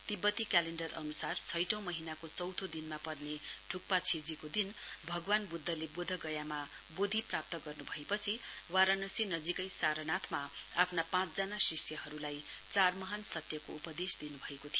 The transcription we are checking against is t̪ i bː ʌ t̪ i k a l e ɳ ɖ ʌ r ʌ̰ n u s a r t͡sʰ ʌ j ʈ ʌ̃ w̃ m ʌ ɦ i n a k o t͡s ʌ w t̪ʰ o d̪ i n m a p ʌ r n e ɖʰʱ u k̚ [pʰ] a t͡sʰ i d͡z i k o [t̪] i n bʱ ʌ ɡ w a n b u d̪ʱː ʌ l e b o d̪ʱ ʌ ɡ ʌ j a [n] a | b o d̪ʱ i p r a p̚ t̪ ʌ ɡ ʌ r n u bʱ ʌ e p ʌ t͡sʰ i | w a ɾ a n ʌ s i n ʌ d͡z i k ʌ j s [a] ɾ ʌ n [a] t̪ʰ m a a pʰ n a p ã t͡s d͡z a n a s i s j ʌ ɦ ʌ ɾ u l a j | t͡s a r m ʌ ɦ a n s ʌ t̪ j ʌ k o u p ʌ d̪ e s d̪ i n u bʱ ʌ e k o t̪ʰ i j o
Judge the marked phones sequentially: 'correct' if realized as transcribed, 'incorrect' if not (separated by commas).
incorrect, incorrect, incorrect, correct, correct